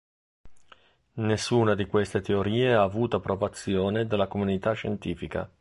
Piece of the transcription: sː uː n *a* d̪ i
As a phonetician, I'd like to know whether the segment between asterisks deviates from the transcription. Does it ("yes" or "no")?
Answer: no